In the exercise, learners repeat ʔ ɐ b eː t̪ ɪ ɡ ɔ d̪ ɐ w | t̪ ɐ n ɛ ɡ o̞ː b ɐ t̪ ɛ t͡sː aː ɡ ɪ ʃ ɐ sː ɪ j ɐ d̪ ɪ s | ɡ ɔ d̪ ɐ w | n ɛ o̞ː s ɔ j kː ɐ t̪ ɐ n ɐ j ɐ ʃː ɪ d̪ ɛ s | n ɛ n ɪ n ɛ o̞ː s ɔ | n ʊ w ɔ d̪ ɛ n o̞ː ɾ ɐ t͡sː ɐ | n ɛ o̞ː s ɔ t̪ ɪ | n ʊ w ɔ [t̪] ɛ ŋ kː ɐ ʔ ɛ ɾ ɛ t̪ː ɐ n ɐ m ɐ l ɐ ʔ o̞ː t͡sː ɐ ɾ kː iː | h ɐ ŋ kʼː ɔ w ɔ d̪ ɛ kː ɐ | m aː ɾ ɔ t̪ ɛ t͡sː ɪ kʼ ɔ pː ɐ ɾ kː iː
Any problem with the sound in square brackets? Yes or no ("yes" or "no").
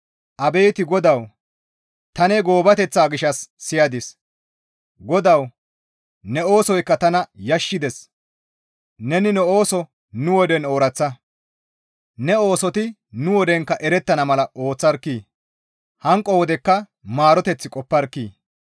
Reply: yes